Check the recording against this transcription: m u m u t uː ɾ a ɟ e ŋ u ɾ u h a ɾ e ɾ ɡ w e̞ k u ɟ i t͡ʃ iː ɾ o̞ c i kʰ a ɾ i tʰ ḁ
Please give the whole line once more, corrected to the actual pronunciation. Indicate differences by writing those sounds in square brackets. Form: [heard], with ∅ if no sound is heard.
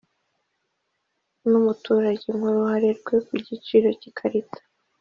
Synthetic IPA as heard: [n] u m u t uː ɾ a ɟ e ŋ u ɾ u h a ɾ e ɾ ɡ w e̞ k u ɟ i t͡ʃ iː ɾ o̞ c i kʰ a ɾ i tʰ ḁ